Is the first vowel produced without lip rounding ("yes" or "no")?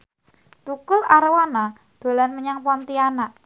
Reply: no